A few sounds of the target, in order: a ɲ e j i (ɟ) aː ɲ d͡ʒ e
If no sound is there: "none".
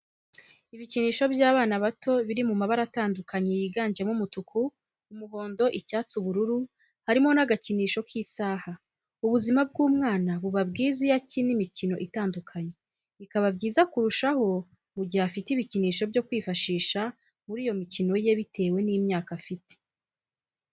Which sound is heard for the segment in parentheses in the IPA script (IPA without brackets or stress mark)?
ɡ